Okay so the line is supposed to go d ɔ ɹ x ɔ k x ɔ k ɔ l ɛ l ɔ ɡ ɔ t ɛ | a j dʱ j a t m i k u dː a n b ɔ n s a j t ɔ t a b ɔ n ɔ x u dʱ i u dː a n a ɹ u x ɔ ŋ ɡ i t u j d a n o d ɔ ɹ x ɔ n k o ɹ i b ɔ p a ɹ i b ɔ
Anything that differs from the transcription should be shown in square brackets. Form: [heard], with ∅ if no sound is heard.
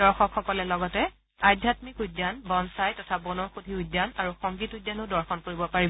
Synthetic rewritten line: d ɔ ɹ x ɔ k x ɔ k ɔ l ɛ l ɔ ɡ ɔ t ɛ | a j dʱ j a t m i k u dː a n b ɔ n s a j t ɔ [tʰ] a b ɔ n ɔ x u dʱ i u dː a n a ɹ u x ɔ ŋ ɡ i t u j d a n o d ɔ ɹ x ɔ n k o ɹ i b ɔ p a ɹ i b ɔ